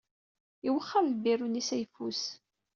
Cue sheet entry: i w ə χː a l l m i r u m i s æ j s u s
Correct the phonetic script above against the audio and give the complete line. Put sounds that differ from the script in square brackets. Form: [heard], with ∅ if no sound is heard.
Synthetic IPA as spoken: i w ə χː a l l [b] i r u [n] i s æ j [f] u s